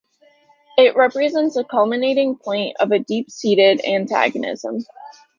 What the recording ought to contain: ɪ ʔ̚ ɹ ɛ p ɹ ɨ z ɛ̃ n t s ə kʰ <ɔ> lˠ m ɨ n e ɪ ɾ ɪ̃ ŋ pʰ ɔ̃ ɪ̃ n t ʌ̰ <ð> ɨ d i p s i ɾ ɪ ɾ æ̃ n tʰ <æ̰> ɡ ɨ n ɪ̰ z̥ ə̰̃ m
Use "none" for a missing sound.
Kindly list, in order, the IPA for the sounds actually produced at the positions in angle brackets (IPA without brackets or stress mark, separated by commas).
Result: ʌ, v, æ̰